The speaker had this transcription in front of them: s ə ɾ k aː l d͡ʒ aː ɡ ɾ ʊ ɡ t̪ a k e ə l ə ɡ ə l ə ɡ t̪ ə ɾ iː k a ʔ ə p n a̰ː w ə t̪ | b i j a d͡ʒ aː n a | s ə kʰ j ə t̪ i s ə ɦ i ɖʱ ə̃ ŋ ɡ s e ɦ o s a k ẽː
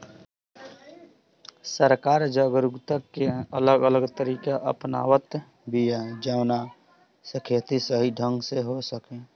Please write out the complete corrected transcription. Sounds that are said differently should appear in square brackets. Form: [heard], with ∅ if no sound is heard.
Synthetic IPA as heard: s ə ɾ k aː [ɾ] d͡ʒ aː ɡ ɾ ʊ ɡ t̪ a k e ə l ə ɡ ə l ə ɡ t̪ ə ɾ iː k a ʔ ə p n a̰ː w ə t̪ | b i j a d͡ʒ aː n a | s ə kʰ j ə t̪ i s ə ɦ i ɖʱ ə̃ ŋ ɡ s e ɦ o s [ə] k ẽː